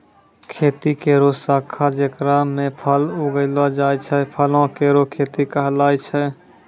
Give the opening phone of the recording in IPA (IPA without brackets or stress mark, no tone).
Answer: kʰ